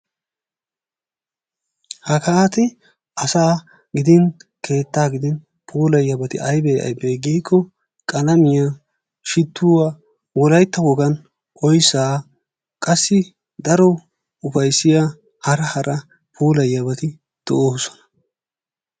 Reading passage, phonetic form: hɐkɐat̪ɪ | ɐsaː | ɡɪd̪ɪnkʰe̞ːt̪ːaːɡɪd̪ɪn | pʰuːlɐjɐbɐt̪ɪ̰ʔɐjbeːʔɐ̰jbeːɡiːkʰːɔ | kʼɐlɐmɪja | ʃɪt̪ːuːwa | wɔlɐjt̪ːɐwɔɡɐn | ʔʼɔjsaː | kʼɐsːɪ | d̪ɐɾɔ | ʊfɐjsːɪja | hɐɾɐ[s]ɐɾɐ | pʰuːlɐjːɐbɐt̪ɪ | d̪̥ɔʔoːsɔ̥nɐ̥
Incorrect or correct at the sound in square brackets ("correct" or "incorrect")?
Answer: incorrect